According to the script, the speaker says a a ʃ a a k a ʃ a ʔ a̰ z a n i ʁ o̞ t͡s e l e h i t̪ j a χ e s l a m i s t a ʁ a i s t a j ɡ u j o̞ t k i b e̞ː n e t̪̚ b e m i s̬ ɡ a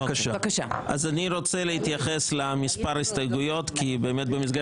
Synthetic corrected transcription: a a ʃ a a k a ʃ a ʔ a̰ z a n i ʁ o̞ t͡s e l e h i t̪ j a χ e s l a m i s p a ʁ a i s t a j ɡ u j o̞ t k i b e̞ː m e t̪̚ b e m i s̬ ɡ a